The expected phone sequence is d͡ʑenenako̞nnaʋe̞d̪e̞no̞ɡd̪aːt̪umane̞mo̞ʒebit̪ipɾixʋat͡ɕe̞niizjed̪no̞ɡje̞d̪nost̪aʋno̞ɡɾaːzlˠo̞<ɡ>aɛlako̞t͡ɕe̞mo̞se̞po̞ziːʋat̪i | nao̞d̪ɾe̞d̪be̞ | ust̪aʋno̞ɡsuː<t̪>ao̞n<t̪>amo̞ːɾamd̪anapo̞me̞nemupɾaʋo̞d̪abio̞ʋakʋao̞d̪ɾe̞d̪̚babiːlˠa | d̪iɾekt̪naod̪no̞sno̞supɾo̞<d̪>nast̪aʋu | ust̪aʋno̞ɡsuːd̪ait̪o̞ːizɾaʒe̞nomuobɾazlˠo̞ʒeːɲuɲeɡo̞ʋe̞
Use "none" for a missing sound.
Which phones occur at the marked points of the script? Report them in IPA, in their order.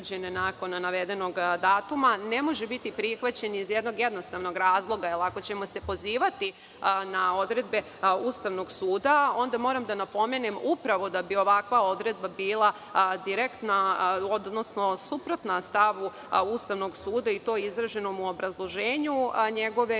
ɡ, d̪, d̪, t̪

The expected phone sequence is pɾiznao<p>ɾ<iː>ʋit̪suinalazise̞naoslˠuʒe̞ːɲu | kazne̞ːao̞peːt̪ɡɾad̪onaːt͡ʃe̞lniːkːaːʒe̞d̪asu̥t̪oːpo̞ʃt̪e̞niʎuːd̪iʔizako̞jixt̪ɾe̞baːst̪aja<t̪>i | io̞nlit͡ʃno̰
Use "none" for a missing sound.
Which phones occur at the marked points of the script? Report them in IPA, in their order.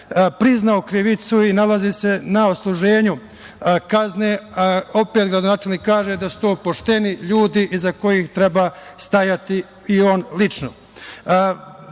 k, i, t̪

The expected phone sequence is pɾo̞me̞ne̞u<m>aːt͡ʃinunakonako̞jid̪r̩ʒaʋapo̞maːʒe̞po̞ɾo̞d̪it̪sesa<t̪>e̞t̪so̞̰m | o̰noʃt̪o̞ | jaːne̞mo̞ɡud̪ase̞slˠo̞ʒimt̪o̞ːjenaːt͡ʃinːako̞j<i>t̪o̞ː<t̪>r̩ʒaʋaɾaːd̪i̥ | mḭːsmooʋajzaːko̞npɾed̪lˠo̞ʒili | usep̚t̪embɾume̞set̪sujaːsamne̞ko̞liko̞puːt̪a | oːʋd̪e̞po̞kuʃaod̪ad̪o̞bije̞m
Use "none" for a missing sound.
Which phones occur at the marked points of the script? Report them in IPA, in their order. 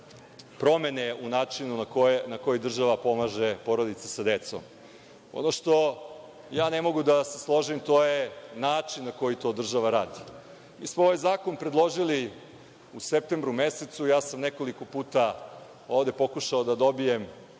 n, d̪, i, d̪

